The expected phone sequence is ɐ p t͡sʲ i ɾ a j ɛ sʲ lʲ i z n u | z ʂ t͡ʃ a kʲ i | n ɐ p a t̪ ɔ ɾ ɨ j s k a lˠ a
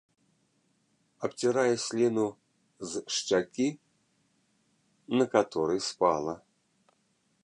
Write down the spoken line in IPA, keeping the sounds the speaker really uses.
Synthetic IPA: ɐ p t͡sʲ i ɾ a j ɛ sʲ lʲ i n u | z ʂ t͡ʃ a kʲ i | n ɐ k a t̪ ɔ ɾ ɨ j s p a lˠ ɐ

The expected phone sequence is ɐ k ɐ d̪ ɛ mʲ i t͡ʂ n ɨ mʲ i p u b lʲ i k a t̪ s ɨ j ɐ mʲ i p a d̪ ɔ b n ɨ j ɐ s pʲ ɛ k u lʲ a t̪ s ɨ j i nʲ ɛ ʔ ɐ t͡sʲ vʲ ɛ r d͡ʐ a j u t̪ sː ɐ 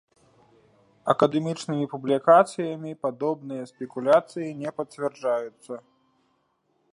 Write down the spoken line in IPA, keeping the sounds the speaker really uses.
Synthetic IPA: ɐ k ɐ d̪ ɛ mʲ i t͡ʂ n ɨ mʲ i p u b lʲ i k a t̪ s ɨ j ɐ mʲ i p a d̪ ɔ b n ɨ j ɐ s pʲ ɛ k u lʲ a t̪ s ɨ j i nʲ ɛ p ɐ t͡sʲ vʲ ɛ r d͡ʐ a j u t̪ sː ɐ

